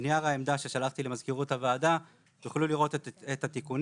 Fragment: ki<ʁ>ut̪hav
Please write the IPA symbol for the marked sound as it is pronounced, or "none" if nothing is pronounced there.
ʁ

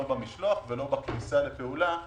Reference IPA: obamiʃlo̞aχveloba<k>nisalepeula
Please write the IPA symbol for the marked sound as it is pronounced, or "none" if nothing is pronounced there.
k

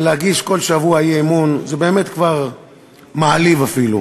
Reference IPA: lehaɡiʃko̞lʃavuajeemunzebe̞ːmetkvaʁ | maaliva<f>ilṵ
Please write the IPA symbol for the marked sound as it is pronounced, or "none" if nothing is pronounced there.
f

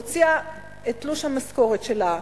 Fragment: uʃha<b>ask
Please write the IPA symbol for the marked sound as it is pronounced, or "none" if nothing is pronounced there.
m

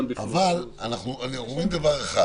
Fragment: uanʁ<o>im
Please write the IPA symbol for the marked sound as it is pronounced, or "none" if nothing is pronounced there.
o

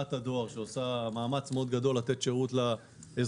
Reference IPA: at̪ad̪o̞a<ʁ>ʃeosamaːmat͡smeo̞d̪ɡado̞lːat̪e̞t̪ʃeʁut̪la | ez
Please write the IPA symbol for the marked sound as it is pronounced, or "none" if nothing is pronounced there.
ʁ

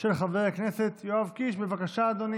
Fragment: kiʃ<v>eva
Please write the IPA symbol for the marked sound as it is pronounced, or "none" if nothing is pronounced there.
b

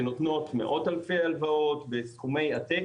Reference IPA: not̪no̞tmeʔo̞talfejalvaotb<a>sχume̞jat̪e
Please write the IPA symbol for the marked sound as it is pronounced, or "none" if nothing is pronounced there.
e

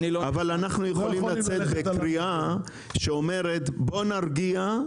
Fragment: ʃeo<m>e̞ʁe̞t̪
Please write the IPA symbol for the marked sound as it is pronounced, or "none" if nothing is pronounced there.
m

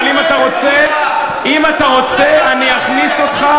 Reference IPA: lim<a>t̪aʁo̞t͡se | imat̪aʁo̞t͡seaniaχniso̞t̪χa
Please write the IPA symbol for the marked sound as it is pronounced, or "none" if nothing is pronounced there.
a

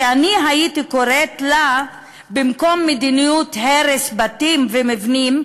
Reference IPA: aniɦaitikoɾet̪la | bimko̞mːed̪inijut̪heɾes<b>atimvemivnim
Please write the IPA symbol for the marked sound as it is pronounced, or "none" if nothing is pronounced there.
b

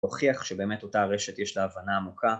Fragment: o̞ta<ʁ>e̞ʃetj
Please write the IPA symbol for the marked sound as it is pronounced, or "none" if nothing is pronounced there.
ʁ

